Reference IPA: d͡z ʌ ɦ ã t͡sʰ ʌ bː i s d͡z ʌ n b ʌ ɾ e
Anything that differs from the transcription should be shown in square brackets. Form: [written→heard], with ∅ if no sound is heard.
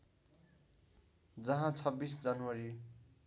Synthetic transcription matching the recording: d͡z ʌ ɦ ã t͡sʰ ʌ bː i s d͡z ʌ n [b→w] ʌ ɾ [e→i]